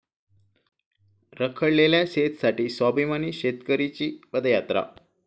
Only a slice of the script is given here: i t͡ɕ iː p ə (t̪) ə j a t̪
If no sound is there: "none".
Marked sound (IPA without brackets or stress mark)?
d̪